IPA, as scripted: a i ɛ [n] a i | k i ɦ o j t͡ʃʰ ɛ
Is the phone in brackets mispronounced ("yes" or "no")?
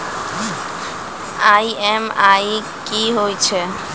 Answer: yes